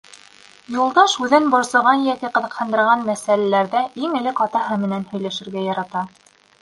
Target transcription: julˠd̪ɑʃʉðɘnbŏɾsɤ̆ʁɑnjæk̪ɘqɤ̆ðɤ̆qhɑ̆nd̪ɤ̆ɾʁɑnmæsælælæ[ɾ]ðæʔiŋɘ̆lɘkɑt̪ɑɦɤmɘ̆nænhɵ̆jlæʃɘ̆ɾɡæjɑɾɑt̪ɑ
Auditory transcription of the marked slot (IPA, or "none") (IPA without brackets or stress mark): ɾ